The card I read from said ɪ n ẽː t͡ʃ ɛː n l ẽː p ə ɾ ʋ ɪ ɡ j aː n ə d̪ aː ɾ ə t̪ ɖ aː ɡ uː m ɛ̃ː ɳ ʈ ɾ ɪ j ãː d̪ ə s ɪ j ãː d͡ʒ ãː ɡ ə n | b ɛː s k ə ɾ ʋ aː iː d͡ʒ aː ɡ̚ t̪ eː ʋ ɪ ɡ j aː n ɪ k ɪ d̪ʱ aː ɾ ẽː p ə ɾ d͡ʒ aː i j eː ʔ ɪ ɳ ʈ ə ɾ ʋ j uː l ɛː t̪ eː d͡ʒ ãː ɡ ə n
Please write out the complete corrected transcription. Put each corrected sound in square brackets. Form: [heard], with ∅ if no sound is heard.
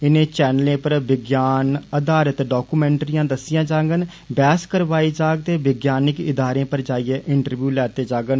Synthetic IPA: ɪ n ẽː t͡ʃ ɛː n l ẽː p ə ɾ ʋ ɪ ɡ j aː n ə d̪ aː ɾ ə t̪ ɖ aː [k] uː m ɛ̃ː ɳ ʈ ɾ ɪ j ãː d̪ ə s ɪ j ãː d͡ʒ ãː ɡ ə n | b ɛː s k ə ɾ ʋ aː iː d͡ʒ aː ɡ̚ t̪ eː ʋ ɪ ɡ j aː n ɪ k ɪ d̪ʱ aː ɾ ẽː p ə ɾ d͡ʒ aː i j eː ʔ ɪ ɳ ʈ ə ɾ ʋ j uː l ɛː t̪ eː d͡ʒ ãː ɡ ə n